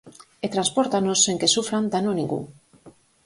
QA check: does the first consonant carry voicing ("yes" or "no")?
no